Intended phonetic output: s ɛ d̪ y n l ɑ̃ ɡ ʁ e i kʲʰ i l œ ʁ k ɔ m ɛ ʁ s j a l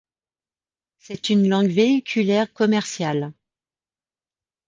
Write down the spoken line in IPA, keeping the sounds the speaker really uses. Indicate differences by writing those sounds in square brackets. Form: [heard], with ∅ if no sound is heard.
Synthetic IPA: s ɛ [t̪] y n l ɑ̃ ɡ [v] e i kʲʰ [y] l [ɛ] ʁ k ɔ m ɛ ʁ s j a l